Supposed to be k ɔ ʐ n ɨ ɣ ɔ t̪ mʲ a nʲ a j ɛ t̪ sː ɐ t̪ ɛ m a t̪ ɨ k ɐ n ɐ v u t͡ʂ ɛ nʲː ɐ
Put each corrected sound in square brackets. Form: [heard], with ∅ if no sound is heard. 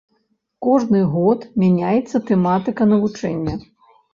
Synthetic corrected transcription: k ɔ ʐ n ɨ ɣ ɔ t̪ mʲ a nʲ a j ɛ t̪ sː ɐ t̪ ɛ m a t̪ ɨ k ɐ n ɐ v u t͡ʂ ɛ nʲː ɐ